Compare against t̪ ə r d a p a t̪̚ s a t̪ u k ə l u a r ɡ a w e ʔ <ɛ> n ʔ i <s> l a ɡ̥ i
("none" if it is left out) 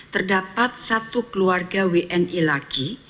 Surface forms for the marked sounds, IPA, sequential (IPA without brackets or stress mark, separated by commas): ɛ, none